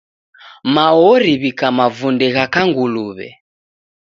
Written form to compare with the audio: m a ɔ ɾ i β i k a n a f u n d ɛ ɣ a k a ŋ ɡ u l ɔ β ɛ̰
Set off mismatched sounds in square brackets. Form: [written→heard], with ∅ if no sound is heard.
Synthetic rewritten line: m a ɔ ɾ i β i k a [n→m] a [f→v] u n d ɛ ɣ a k a ŋ ɡ u l [ɔ→u] β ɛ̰